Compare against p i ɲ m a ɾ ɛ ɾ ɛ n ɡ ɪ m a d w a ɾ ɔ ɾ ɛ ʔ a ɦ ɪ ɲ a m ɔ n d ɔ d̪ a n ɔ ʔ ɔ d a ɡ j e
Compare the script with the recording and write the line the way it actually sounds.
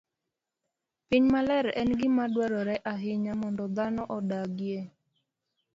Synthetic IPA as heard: p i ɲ m a l ɛ ɾ ɛ n ɡ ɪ m a d w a ɾ ɔ ɾ ɛ ʔ a ɦ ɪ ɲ a m ɔ n d ɔ d̪ a n ɔ ʔ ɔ d a ɡ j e